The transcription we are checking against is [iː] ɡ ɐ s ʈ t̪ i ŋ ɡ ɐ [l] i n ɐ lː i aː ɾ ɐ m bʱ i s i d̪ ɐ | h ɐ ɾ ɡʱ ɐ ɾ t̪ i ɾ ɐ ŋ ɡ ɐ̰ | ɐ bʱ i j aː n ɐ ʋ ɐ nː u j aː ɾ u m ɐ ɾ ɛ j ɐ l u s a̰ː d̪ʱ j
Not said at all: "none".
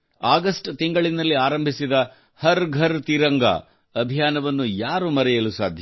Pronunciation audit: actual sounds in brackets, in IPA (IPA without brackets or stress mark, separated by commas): aː, ɭ